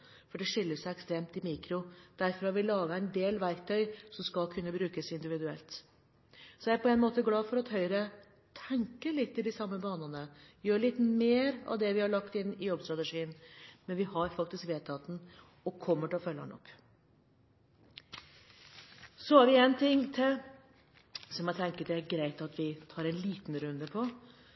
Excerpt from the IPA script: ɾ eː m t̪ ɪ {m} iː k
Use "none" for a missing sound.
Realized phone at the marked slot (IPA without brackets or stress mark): m